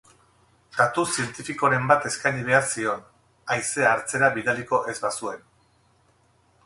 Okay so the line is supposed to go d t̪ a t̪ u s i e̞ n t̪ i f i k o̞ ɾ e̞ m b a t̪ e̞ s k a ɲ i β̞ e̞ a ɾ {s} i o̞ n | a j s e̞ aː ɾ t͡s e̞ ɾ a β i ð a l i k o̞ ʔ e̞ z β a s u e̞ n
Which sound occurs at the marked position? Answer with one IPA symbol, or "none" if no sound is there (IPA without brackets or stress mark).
s